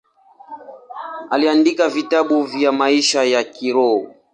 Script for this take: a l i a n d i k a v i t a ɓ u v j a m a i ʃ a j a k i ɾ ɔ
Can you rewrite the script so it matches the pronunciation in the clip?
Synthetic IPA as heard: a l i a n d i k a v i t a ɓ u v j a m a i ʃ a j a k i ɾ ɔ